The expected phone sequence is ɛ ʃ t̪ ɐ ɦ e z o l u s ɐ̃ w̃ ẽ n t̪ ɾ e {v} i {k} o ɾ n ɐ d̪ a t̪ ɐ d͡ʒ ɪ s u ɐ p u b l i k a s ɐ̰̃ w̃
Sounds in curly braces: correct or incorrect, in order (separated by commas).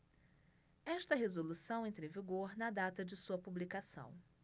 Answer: correct, incorrect